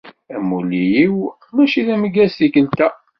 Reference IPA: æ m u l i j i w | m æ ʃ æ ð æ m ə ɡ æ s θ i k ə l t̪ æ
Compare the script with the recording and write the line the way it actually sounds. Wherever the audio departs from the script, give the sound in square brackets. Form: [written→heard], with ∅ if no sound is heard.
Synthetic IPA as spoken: æ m u l i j i w | m æ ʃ [æ→i] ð æ m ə ɡ æ s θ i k ə l t̪ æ